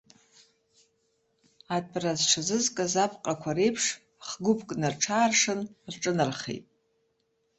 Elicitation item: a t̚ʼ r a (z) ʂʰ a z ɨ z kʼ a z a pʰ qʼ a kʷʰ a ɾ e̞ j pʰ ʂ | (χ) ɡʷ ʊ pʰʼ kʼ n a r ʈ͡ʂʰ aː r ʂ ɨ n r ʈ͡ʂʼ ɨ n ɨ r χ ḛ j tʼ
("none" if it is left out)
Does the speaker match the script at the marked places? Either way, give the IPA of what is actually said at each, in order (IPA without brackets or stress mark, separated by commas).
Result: z, χ